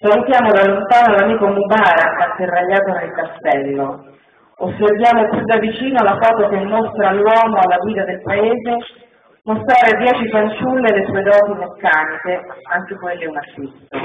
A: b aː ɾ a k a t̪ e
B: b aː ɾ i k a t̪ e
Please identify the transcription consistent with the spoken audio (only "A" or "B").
A